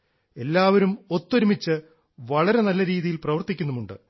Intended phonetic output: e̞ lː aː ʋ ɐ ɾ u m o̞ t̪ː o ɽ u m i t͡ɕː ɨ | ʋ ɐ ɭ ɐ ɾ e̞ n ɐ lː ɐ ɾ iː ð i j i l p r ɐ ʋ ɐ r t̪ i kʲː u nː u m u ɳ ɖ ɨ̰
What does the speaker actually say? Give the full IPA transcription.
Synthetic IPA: e̞ lː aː ʋ ɐ ɾ u m o̞ t̪ː o ɾ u m i t͡ɕː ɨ | ʋ ɐ ɭ ɐ ɾ e̞ n ɐ lː ɐ ɾ iː ð i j i l p r ɐ ʋ ɐ r t̪ i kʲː u nː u m u ɳ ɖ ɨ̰